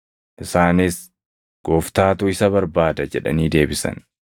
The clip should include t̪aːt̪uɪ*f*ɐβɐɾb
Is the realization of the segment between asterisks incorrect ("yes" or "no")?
yes